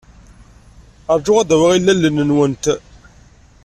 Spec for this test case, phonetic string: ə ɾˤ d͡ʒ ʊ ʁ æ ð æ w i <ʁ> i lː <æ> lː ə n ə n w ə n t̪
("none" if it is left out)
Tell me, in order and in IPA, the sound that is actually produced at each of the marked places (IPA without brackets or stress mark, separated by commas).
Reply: ʁ, æ